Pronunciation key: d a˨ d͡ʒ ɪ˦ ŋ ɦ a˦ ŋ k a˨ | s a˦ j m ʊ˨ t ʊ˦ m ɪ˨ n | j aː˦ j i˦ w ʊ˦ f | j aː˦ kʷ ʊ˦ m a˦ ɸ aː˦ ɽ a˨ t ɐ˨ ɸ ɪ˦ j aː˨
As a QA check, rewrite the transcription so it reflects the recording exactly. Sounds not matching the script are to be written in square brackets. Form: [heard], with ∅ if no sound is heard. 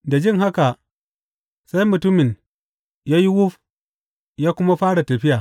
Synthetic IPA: d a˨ d͡ʒ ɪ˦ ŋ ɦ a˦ [∅] k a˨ | s a˦ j m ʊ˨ t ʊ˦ m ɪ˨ n | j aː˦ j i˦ w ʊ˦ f | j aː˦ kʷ ʊ˦ m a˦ ɸ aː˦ ɽ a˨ t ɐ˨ ɸ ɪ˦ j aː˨